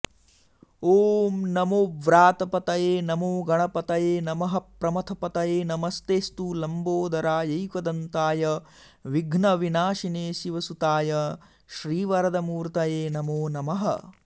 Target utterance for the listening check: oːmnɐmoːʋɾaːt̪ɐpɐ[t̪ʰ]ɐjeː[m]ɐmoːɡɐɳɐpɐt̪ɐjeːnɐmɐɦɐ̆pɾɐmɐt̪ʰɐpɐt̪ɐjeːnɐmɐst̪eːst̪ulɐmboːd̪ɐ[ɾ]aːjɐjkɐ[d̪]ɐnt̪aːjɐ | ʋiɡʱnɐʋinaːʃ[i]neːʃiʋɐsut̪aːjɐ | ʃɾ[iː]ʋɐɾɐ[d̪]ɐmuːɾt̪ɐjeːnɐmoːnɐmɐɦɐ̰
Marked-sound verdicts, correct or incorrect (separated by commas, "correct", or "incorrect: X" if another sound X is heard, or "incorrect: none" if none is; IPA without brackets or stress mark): incorrect: t̪, incorrect: n, correct, correct, correct, correct, correct